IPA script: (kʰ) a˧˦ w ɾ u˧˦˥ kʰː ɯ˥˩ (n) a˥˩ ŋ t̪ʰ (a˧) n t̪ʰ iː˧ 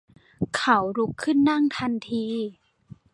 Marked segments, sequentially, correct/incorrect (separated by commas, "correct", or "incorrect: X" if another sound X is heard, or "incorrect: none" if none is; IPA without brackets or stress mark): correct, incorrect: nː, correct